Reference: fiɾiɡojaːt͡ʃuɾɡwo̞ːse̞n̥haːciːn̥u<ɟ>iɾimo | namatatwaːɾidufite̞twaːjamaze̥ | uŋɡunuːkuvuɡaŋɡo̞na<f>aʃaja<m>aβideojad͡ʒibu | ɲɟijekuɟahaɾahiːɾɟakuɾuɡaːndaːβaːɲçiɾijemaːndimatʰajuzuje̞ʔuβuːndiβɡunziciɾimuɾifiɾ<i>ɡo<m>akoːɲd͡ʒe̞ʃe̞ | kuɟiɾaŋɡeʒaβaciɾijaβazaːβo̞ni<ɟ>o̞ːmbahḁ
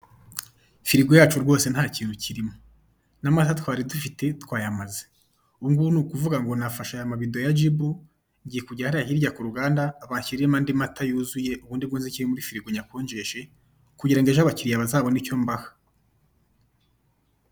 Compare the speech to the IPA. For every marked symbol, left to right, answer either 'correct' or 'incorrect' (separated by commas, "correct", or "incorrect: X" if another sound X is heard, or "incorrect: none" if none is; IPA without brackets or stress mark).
incorrect: c, correct, correct, correct, incorrect: ɲ, incorrect: c